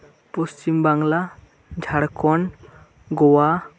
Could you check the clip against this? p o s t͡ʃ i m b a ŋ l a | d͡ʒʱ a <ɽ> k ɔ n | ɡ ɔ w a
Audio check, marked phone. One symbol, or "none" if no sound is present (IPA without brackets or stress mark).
ɽ